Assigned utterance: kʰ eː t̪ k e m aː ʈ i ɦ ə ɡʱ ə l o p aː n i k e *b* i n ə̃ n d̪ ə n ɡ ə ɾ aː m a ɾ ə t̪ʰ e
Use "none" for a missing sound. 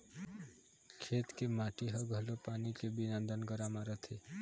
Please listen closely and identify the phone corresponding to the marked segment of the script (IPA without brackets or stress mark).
b